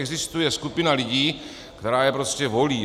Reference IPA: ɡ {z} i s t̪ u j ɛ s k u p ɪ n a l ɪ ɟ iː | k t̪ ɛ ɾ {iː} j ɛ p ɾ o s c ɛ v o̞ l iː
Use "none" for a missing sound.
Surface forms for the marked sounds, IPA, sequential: z, aː

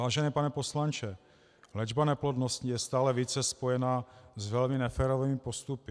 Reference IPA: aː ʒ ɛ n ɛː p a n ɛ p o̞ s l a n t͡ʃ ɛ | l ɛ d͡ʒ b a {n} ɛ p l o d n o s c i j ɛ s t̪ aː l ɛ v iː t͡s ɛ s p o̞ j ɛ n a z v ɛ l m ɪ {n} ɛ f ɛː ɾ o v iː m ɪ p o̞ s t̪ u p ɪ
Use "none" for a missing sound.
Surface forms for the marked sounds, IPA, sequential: n, n

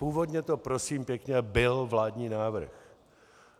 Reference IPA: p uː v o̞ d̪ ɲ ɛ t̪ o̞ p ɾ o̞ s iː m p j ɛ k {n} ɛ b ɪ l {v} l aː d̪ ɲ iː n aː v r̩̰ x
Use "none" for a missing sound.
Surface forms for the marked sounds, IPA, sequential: ɲ, v

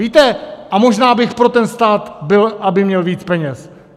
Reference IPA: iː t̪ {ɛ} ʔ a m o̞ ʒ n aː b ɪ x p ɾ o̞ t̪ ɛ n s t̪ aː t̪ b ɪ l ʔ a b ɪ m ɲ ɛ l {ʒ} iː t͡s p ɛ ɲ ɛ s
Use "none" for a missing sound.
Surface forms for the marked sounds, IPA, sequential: ɛ, v

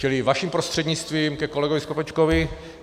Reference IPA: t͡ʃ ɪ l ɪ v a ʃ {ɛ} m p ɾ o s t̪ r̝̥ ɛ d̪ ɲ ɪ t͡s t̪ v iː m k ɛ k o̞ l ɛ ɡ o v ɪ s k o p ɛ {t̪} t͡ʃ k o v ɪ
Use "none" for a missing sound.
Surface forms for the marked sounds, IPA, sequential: i, none

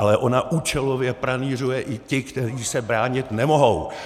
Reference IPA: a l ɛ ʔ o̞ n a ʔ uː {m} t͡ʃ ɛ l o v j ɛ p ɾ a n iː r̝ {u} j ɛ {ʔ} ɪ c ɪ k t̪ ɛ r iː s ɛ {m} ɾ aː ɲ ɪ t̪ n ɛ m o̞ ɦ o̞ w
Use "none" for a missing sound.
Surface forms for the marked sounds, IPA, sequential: none, u, ʔ, b

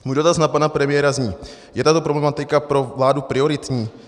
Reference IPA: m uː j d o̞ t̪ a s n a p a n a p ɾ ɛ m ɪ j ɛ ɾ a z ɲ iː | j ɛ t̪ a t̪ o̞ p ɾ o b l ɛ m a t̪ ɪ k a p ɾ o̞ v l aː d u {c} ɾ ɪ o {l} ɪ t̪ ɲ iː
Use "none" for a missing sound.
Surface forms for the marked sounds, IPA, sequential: p, ɾ

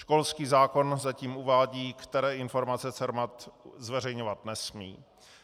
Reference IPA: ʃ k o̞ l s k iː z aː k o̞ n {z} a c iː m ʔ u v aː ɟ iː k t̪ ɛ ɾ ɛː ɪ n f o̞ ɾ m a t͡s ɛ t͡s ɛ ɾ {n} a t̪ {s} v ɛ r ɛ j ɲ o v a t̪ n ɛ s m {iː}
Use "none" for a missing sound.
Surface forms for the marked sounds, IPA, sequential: z, m, z, iː

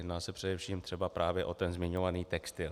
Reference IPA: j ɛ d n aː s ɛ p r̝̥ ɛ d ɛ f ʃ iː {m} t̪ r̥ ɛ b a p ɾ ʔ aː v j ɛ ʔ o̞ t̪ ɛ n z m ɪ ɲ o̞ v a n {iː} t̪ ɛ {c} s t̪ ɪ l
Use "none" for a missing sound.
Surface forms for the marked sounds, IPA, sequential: m, iː, k

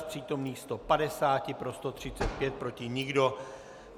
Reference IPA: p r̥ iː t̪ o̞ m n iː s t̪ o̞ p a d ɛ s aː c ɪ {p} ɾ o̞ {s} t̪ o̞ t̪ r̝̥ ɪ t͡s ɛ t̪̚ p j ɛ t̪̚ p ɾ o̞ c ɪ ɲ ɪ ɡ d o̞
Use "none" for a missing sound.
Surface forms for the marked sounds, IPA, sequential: p, s

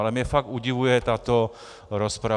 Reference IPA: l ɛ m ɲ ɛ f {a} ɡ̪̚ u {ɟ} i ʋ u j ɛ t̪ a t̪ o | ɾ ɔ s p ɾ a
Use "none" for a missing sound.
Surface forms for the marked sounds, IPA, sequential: a, ɟ

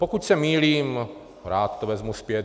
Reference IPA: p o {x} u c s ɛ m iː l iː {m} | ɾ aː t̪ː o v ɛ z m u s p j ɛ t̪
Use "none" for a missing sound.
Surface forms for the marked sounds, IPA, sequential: k, m

